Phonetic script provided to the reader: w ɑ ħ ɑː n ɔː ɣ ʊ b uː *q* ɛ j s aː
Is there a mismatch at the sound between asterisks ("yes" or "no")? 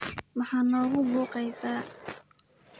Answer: no